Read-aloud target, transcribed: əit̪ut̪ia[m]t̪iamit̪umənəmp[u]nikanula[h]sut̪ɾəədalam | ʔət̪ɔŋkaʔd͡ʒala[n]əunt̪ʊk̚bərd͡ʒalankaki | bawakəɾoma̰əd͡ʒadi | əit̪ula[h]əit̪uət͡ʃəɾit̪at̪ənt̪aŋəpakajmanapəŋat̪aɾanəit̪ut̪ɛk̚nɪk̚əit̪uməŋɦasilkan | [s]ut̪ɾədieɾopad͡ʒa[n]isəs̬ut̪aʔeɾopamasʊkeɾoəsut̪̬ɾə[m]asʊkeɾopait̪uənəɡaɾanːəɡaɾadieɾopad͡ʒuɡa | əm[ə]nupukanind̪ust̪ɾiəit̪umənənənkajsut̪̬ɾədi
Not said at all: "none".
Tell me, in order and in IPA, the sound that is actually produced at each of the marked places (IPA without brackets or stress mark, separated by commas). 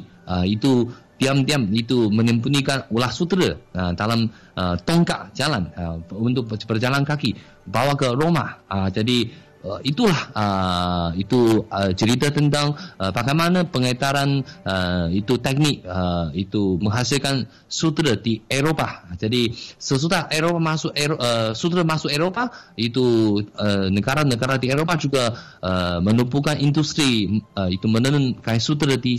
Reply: m, u, h, n, h, s, d, m, ə